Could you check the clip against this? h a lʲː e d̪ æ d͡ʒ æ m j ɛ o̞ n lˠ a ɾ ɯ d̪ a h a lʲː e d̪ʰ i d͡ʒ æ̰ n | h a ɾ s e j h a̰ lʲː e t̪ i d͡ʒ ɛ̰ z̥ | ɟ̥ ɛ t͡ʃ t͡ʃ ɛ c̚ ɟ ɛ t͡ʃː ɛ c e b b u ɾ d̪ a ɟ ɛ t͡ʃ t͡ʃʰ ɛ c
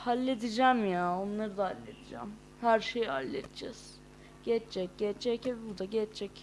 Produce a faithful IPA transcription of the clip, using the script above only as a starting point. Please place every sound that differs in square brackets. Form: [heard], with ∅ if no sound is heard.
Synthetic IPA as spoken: h a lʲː e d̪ [i] d͡ʒ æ m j [a] o̞ n lˠ a ɾ ɯ d̪ a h a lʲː e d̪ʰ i d͡ʒ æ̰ [m] | h [æ] ɾ [ʃ] e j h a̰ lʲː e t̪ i d͡ʒ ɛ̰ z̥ | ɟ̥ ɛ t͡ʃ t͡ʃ ɛ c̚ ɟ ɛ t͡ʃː ɛ c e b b u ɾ d̪ a ɟ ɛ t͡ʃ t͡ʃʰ ɛ c